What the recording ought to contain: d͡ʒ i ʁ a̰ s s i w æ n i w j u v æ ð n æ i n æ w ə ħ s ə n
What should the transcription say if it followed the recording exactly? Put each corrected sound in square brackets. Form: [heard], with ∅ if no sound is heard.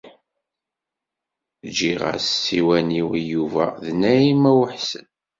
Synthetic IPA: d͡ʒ i ʁ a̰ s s i w æ n i w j u v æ ð n æ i [m] æ w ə ħ s ə n

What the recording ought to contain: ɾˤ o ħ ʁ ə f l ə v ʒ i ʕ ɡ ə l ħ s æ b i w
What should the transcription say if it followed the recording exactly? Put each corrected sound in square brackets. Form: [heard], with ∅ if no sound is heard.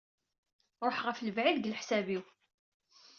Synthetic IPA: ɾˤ o ħ ʁ ə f l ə v [ʕ] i [ð] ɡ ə l ħ s æ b i w

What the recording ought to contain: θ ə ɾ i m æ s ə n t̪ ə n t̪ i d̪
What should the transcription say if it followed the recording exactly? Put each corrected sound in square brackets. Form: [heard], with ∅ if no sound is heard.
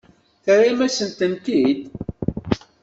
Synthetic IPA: θ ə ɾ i m æ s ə n t̪ ə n t̪ i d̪

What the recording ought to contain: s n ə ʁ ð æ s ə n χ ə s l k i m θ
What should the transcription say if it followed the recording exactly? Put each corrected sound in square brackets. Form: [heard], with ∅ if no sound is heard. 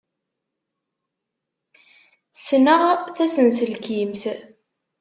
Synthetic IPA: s n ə ʁ [θ] æ s ə n [s] ə [∅] l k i m θ

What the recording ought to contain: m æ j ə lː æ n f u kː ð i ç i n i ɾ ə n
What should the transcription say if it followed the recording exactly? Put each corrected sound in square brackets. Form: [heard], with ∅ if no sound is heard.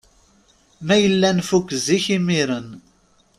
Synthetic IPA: m æ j ə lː æ n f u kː [z] i ç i [m] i ɾ ə n

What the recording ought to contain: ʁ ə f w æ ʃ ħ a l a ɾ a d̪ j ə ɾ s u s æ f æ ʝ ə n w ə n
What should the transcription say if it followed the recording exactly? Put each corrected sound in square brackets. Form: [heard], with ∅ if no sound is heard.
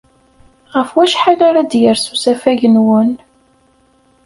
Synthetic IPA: ʁ ə f w æ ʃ ħ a l a ɾ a d̪ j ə ɾ s u s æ f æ ʝ ə n w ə n

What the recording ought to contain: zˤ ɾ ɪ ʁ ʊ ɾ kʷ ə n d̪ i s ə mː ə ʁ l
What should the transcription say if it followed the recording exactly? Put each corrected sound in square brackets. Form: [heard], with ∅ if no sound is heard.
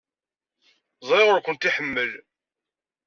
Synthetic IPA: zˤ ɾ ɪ ʁ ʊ ɾ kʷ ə n [t̪] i [ħ] ə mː ə [∅] l

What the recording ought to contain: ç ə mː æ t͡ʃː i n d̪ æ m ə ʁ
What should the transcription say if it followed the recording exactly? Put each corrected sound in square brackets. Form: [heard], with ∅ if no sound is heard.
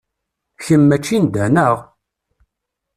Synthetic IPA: ç ə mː æ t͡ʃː i n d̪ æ [n] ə ʁ

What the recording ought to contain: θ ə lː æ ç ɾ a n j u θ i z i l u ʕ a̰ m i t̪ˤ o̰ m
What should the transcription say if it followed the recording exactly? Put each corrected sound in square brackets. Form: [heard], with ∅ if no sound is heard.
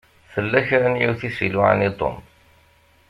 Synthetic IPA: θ ə lː æ ç ɾ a n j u θ i [s] i l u ʕ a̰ [n] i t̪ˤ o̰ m

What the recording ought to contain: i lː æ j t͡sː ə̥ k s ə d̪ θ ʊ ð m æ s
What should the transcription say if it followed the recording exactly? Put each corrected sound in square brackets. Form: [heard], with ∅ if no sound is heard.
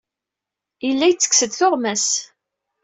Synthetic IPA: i lː æ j t͡sː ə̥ k s ə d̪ θ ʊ [ʁ] m æ s

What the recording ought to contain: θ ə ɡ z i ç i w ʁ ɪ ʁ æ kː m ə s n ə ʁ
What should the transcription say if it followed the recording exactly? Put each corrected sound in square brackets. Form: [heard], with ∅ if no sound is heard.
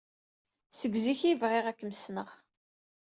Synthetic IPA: [s] ə ɡ z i ç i [v] ʁ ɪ ʁ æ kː m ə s n ə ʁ

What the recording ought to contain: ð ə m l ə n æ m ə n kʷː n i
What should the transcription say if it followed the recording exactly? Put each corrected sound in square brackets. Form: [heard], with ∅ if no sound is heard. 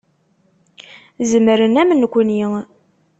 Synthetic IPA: [z] ə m [ɾ] ə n æ m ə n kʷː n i

